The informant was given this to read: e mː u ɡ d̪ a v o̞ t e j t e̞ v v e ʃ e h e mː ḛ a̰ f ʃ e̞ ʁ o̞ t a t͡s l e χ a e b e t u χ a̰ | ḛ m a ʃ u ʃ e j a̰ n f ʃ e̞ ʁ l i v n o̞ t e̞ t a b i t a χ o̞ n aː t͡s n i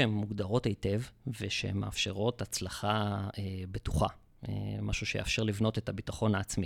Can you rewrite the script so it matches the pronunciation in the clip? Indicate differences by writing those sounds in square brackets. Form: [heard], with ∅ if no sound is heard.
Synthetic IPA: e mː u ɡ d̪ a [ʁ] o̞ t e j t e̞ v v e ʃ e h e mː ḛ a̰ f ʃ e̞ ʁ o̞ t a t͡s l [a] χ a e b e t u χ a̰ | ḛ m a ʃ u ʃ e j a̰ [∅] f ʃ e̞ ʁ l i v n o̞ t e̞ t a b i t a χ o̞ n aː t͡s [m] i